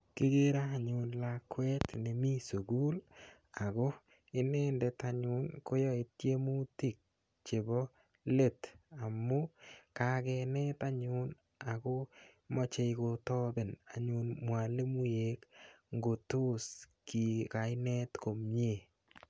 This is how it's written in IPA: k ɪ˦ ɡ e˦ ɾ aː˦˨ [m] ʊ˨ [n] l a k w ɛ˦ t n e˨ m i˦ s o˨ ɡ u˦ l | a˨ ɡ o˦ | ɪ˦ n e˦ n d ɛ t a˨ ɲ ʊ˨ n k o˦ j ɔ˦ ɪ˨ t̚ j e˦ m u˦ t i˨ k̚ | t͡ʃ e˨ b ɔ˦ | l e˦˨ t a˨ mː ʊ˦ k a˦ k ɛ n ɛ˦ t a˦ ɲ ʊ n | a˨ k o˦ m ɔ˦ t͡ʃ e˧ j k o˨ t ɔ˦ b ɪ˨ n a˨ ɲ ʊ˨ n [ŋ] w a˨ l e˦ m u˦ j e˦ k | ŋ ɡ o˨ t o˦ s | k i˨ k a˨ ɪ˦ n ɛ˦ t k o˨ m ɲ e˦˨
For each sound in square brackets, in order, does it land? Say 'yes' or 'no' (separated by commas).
no, yes, no